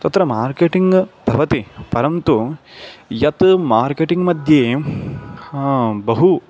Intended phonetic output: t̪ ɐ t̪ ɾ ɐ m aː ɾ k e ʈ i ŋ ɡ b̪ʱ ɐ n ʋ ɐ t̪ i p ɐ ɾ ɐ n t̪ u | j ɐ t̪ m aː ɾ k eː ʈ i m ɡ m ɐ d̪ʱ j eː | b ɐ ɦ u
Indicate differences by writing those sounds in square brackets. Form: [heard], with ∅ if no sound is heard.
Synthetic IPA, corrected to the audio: t̪ ɐ t̪ ɾ ɐ m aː ɾ k e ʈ i ŋ ɡ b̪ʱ ɐ [∅] ʋ ɐ t̪ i p ɐ ɾ ɐ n t̪ u | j ɐ t̪ m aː ɾ k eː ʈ i [ŋ] ɡ m ɐ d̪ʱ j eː | b ɐ ɦ u